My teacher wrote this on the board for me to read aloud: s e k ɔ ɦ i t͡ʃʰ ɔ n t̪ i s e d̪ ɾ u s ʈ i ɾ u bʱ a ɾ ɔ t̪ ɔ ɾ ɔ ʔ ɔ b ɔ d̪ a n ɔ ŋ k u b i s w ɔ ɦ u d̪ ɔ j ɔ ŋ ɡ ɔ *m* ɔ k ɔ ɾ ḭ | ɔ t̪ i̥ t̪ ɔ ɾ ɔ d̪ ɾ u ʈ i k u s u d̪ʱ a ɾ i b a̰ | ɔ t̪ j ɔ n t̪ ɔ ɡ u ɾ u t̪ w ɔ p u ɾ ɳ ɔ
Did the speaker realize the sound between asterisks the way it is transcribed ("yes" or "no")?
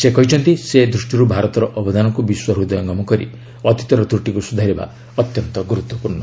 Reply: yes